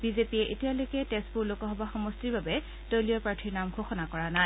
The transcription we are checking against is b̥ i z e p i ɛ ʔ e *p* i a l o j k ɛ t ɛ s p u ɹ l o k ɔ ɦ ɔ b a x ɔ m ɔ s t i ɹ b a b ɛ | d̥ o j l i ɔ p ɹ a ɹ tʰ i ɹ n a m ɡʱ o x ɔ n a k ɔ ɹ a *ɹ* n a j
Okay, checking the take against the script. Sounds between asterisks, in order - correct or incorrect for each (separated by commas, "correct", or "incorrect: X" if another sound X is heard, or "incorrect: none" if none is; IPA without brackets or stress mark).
incorrect: t, incorrect: none